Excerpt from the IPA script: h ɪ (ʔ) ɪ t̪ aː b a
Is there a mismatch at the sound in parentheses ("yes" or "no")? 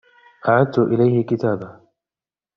yes